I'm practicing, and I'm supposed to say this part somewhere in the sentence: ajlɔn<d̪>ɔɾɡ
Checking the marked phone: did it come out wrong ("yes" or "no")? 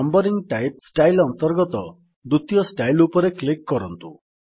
yes